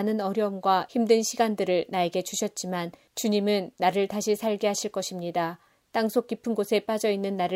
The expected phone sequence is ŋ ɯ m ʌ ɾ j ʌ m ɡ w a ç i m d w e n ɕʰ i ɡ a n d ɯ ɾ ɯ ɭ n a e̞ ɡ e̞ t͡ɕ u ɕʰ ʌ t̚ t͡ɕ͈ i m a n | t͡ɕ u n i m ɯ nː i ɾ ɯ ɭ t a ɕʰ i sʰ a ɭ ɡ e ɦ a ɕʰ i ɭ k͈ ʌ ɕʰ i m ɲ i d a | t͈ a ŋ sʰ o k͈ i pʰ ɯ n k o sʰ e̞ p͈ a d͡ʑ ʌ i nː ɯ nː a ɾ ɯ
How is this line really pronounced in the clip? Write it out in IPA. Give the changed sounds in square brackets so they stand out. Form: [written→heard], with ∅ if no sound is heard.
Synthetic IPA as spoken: [ŋ→n] ɯ [m→n] ʌ ɾ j ʌ m ɡ w a ç i m d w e n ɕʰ i ɡ a n d ɯ ɾ ɯ ɭ n a e̞ ɡ e̞ t͡ɕ u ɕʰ ʌ t̚ t͡ɕ͈ i m a n | t͡ɕ u [n→ɲ] i m ɯ nː [i→a] ɾ ɯ ɭ t a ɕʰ i sʰ a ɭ ɡ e ɦ a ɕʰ i ɭ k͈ ʌ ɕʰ i m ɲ i d a | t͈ a ŋ sʰ o k͈ i pʰ ɯ n [k→ɡ] o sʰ e̞ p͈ a d͡ʑ ʌ i nː ɯ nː a ɾ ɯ